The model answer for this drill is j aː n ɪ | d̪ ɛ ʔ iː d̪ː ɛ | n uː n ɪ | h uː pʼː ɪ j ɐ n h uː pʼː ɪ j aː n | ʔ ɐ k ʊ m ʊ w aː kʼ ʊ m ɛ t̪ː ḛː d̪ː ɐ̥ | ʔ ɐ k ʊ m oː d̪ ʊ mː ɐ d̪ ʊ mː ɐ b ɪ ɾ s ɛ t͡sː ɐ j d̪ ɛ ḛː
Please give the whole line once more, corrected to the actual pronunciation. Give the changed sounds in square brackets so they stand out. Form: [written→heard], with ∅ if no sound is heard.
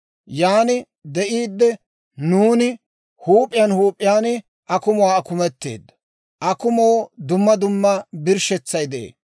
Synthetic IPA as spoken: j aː n ɪ | d̪ ɛ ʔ iː d̪ː ɛ | n uː n ɪ | h uː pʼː ɪ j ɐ n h uː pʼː ɪ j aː n | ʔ ɐ k ʊ m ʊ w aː [kʼ→k] ʊ m ɛ t̪ː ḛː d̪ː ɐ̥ | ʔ ɐ k ʊ m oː d̪ ʊ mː ɐ d̪ ʊ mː ɐ b ɪ ɾ [s→ʃ] ɛ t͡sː ɐ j d̪ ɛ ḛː